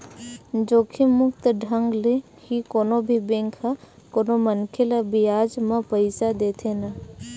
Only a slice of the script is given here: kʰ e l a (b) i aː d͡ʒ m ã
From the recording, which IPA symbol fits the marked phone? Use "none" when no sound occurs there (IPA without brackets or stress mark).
b